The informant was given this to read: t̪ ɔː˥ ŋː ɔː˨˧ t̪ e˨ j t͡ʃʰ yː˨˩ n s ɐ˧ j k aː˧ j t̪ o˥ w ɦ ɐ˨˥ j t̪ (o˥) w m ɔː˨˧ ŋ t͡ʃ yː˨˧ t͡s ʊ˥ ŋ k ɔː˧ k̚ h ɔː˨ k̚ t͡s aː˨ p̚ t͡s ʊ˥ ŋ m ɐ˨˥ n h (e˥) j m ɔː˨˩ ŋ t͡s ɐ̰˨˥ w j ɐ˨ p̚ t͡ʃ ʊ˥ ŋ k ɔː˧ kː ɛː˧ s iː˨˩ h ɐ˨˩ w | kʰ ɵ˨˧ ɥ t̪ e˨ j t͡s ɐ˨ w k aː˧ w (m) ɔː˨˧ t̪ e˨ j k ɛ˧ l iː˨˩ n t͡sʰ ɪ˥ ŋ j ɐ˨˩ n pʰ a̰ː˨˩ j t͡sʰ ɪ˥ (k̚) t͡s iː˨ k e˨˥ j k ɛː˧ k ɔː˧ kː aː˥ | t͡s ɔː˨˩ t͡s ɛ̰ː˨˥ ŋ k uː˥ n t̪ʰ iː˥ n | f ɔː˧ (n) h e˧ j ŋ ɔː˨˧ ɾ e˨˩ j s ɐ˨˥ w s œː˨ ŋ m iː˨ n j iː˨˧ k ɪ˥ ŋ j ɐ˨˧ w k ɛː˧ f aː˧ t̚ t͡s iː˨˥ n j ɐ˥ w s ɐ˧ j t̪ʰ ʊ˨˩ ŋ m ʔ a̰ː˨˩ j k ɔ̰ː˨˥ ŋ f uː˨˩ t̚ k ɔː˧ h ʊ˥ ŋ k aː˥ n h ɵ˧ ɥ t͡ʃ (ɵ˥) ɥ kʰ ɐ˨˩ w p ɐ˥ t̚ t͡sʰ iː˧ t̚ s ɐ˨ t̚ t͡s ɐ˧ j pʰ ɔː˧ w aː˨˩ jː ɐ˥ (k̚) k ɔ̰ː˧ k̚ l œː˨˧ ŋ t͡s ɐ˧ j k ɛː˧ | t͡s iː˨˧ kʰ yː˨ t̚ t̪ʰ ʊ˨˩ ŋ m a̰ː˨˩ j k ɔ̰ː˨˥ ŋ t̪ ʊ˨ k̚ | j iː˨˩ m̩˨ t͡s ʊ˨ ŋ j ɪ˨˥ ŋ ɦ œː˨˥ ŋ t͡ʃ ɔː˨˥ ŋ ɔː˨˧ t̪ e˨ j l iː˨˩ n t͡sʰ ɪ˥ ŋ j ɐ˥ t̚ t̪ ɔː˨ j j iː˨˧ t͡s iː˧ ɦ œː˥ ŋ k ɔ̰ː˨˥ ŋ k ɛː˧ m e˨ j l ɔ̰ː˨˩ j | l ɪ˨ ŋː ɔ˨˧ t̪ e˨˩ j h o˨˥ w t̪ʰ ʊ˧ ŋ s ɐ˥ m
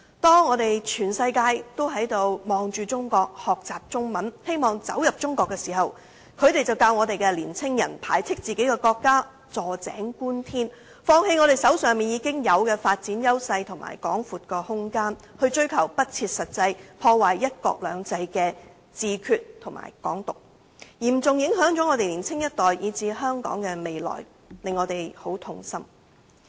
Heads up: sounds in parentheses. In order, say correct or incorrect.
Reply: incorrect: o˨˧, correct, incorrect: ŋ, correct, incorrect: ŋ, correct, incorrect: t̚

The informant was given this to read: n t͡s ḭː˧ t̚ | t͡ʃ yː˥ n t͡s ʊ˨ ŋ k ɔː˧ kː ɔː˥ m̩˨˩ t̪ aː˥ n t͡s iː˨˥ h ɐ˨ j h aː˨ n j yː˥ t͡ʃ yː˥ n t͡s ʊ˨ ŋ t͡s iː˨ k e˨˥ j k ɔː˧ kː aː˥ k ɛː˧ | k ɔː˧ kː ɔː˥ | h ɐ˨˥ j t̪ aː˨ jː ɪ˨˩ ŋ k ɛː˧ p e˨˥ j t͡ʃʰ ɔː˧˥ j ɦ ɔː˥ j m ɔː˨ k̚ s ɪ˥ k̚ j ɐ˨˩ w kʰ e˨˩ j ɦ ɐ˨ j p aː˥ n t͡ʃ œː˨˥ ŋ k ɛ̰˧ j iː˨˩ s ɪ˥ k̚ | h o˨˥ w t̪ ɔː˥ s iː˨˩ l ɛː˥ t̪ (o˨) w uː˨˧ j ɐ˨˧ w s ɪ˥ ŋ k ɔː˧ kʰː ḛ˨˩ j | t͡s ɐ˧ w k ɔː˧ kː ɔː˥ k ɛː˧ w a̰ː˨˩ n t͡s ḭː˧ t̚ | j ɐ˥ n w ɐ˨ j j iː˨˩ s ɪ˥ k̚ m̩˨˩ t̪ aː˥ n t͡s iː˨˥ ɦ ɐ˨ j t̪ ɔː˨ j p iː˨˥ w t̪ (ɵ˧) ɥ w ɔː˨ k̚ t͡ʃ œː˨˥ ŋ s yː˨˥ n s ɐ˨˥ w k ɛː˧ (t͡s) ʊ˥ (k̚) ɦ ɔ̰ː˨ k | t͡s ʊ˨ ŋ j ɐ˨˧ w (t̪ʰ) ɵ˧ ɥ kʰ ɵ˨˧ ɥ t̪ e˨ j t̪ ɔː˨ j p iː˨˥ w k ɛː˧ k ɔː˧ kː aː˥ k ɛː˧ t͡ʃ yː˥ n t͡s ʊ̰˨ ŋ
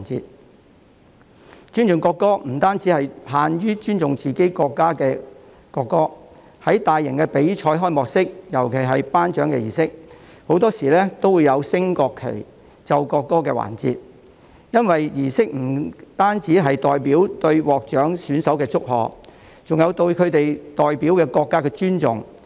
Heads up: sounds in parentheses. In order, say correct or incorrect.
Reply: incorrect: o˥, correct, correct, correct, incorrect: t̪

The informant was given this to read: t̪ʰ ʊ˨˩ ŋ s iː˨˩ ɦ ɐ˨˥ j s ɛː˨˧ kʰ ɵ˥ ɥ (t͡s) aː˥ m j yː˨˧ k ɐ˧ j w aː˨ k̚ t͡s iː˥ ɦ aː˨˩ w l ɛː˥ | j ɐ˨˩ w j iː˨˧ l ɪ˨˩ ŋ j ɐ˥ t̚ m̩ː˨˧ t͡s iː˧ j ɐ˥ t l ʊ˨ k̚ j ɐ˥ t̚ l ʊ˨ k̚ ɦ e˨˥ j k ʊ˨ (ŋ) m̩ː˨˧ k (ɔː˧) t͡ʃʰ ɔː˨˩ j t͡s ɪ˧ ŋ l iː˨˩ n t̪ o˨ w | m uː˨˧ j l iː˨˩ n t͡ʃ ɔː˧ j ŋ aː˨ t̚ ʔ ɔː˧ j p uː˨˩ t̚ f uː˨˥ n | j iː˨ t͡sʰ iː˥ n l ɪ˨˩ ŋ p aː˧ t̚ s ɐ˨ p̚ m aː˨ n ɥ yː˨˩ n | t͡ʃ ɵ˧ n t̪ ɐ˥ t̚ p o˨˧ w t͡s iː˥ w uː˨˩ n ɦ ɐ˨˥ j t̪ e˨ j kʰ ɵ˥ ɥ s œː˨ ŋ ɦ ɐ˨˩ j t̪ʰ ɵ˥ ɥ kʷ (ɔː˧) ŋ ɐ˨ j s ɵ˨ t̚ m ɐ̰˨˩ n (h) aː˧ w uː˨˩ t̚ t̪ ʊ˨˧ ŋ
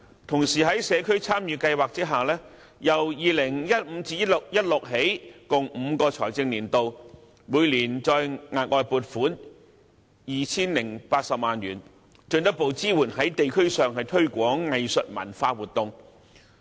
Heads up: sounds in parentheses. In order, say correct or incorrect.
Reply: incorrect: t͡sʰ, correct, correct, incorrect: ɔː˨˥, incorrect: f

